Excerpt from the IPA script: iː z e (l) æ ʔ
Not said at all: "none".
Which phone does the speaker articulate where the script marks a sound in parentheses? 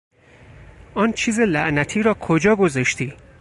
l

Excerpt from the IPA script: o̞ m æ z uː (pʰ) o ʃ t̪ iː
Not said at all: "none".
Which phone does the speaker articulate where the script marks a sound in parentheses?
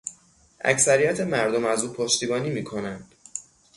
pʰ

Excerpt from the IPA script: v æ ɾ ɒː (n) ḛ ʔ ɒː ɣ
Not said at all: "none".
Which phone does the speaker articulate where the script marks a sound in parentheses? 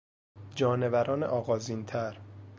n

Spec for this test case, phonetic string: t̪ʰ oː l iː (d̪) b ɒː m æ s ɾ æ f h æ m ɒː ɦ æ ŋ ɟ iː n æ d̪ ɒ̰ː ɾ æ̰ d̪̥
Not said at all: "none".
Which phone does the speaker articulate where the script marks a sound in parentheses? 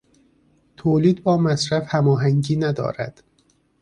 d̪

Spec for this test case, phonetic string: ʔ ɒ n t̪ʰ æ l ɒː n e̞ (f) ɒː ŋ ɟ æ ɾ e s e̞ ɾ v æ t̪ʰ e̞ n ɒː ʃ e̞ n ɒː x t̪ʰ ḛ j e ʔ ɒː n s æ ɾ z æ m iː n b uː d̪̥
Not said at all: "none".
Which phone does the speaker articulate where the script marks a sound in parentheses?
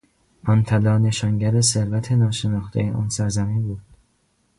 ʃ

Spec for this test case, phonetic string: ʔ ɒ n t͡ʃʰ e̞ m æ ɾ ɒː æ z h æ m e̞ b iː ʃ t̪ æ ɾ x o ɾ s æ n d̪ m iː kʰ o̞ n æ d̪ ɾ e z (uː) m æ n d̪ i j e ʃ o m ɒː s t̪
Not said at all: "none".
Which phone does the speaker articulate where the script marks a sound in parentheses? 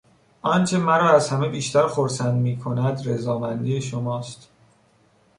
ɒː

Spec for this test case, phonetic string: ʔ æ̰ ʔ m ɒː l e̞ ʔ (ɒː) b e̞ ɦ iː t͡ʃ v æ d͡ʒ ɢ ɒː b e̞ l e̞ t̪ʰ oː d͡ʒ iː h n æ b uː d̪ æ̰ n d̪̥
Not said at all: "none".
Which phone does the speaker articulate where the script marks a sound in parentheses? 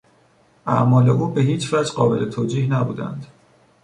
uː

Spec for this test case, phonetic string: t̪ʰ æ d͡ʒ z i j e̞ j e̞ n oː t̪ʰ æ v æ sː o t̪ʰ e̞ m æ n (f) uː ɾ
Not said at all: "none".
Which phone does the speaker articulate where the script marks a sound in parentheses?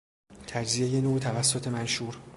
ʃ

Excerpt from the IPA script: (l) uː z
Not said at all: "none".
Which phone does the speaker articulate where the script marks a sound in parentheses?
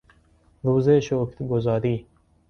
ɾ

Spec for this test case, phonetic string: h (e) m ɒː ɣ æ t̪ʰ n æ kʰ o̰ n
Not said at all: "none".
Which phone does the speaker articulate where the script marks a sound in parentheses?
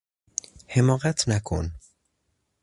e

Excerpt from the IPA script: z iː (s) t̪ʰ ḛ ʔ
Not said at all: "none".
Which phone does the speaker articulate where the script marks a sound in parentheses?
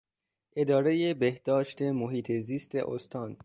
s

